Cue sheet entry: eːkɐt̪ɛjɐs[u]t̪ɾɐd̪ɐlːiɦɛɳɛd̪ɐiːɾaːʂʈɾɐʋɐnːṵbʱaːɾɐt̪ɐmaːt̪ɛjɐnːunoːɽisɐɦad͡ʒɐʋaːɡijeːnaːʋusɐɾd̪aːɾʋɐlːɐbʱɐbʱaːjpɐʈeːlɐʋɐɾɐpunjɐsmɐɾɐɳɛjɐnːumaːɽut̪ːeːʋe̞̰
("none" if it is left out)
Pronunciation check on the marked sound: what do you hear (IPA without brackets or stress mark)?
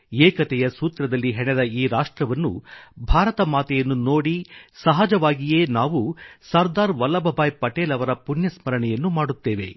uː